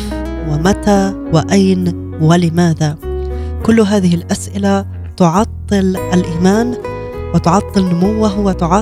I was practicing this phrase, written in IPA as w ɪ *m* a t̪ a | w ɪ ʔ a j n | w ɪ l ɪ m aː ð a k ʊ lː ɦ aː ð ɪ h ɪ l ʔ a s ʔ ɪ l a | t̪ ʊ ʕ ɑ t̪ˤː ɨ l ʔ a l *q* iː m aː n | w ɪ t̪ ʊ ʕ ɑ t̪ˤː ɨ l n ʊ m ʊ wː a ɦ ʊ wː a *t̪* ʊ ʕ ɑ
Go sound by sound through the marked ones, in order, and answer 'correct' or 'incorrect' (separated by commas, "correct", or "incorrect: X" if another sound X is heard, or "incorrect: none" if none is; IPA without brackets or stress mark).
correct, incorrect: ʔ, correct